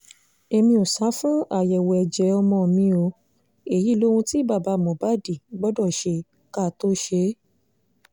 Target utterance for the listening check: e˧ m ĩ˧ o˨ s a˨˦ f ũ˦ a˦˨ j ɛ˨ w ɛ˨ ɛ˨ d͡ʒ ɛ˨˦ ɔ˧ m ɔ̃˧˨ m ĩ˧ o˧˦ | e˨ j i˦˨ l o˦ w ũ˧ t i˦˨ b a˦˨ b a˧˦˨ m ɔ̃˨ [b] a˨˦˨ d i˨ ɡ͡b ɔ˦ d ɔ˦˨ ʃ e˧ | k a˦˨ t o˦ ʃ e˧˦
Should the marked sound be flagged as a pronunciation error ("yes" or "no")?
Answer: no